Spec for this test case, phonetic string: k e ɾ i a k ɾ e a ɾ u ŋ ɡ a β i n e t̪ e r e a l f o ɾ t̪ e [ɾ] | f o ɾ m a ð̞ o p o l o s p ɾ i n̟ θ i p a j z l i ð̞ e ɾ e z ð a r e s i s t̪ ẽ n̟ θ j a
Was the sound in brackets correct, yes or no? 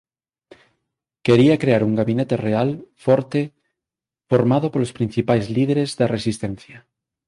no